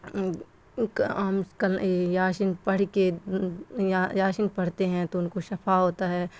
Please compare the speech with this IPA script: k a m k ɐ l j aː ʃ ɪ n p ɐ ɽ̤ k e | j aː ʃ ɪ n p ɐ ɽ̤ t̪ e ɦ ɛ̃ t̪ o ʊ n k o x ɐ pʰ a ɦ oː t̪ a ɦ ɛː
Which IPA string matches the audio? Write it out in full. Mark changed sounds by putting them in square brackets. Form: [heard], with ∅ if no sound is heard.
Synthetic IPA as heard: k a m k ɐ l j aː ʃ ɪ n p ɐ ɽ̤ k e | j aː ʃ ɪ n p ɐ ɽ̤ t̪ e ɦ ɛ̃ t̪ o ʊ n k o [ʃ] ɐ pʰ a ɦ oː t̪ a ɦ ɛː